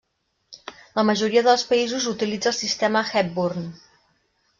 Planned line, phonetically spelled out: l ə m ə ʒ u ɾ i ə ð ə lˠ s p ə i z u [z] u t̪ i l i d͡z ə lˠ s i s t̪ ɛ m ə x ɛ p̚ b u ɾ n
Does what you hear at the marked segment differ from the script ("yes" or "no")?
no